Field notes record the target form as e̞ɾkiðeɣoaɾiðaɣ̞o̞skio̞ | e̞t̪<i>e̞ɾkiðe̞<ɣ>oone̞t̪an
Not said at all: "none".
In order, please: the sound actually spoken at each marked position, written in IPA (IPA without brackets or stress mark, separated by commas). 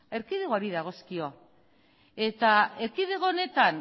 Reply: a, ɣ